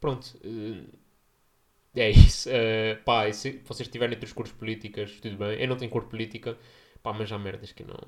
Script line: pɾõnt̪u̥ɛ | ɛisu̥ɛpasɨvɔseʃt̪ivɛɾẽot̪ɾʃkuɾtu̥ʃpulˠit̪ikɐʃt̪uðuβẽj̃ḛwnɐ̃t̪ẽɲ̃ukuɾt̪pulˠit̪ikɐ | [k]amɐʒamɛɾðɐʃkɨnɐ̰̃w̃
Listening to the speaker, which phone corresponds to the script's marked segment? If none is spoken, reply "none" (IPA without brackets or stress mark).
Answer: p